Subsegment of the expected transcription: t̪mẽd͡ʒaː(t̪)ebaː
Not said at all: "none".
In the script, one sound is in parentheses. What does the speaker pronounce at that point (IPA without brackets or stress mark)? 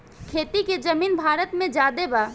d̪